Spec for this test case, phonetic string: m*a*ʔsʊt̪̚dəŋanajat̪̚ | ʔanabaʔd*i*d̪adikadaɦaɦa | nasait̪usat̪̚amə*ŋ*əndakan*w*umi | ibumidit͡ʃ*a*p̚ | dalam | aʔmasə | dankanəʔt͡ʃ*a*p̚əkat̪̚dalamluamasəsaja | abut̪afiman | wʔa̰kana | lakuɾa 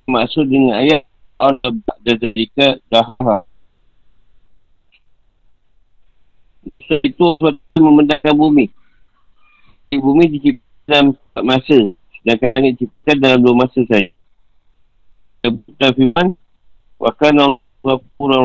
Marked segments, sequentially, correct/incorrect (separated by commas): correct, incorrect, incorrect, incorrect, incorrect, incorrect